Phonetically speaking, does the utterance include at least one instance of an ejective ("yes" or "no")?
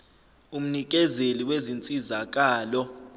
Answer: yes